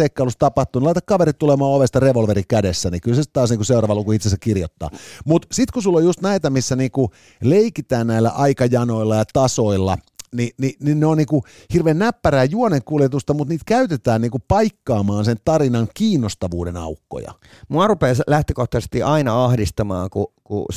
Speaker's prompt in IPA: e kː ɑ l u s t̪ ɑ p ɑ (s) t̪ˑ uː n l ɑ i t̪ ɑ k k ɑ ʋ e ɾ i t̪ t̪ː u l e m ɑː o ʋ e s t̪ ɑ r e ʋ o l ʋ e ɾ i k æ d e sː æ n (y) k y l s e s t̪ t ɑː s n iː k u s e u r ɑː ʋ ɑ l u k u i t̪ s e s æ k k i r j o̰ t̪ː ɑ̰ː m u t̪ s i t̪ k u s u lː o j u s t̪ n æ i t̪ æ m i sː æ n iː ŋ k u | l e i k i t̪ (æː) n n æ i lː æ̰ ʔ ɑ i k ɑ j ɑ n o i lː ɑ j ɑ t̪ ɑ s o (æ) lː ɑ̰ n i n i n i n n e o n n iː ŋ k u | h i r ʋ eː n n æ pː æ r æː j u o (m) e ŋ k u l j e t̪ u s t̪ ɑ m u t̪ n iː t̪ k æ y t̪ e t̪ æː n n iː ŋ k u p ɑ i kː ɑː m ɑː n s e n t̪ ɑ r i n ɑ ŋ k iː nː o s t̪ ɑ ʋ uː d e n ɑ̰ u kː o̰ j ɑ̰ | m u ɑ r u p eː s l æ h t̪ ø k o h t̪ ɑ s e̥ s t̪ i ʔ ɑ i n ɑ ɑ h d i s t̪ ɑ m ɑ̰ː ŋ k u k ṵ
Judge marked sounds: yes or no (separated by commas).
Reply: no, no, yes, no, no